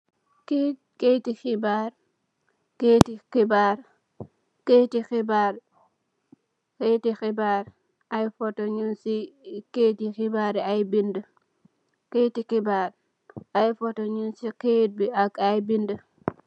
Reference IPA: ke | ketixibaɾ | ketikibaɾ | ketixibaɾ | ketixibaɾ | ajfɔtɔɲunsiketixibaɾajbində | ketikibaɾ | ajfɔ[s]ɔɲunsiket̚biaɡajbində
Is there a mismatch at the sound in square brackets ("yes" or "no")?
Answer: yes